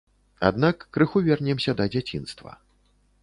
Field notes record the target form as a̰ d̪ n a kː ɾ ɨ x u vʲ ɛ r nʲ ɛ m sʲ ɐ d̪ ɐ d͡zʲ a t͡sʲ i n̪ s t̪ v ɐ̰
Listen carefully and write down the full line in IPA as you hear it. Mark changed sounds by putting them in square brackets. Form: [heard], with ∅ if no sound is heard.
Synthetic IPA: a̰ d̪ n a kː ɾ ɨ x u vʲ ɛ r nʲ ɛ m sʲ ɐ d̪ ɐ d͡zʲ a t͡sʲ i n̪ s t̪ v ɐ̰